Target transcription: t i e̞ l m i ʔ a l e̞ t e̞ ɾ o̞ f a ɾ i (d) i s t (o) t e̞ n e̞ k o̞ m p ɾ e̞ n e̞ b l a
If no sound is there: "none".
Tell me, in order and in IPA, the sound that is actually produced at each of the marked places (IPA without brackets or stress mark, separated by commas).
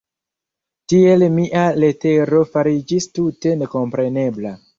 d͡ʒ, u